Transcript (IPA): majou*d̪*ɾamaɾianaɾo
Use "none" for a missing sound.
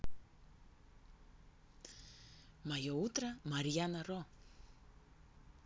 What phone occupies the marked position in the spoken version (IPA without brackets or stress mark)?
t̪